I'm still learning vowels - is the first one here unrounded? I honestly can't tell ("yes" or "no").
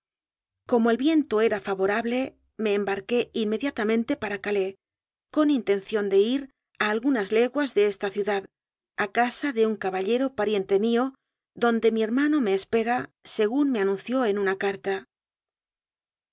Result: no